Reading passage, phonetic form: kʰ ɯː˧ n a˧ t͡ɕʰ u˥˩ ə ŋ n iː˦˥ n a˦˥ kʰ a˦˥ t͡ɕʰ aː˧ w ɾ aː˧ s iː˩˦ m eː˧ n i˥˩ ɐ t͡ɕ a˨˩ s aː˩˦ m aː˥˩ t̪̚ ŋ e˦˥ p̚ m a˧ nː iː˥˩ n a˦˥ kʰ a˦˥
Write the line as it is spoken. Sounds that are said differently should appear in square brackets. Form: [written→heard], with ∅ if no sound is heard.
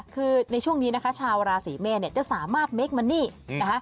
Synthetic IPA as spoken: kʰ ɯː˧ n a˧ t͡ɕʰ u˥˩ ə ŋ n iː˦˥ n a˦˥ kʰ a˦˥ t͡ɕʰ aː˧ w ɾ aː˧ s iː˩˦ m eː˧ n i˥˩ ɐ t͡ɕ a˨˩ s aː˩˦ m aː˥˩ t̪̚ [ŋ→m] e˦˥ [p̚→k̚] m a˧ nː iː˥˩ n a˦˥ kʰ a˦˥